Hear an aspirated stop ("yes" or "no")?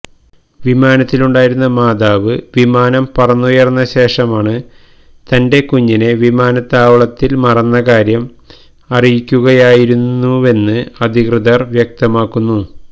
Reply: no